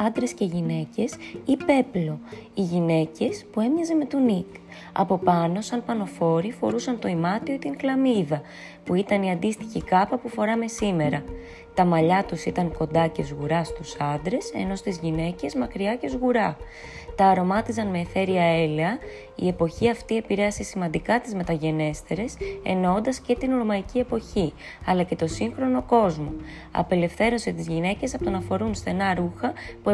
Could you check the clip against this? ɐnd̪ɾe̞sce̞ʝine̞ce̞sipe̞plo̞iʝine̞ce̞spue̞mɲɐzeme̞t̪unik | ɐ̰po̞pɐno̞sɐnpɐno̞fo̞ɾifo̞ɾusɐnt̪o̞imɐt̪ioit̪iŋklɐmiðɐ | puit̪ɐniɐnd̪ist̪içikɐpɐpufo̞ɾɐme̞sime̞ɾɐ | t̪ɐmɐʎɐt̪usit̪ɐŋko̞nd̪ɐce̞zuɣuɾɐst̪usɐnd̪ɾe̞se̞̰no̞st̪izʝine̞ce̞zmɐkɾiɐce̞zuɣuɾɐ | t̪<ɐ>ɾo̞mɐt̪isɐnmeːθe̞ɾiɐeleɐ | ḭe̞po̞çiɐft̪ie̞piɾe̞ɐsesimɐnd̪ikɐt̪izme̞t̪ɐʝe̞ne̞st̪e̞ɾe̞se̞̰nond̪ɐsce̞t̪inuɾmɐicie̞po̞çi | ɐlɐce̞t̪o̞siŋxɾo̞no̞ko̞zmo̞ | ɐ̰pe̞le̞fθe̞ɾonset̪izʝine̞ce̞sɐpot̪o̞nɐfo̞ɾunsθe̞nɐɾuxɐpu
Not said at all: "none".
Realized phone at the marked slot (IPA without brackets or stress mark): ɐː